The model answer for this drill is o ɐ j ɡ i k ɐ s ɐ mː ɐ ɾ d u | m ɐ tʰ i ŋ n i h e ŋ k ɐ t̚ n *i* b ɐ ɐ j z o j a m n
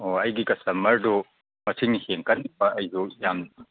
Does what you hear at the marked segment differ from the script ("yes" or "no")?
no